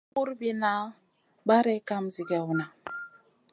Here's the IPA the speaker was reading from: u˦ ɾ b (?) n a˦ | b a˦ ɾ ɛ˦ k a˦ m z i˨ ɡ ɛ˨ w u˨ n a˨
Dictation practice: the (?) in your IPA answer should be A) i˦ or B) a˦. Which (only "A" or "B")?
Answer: A